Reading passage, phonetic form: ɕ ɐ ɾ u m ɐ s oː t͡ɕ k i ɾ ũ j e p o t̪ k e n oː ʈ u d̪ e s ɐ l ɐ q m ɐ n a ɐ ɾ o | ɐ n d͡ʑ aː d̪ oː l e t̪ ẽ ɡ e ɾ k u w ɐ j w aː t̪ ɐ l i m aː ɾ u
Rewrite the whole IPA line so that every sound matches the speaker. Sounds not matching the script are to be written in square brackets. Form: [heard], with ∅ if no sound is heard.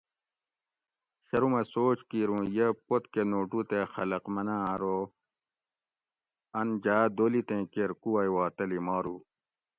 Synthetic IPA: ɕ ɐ ɾ u m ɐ s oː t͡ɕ k i ɾ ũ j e p o t̪ k e n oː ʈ u [t̪] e [x] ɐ l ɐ q m ɐ n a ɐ ɾ o | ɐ n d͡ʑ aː d̪ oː l [i] t̪ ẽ [k] e ɾ k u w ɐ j w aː t̪ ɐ l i m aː ɾ u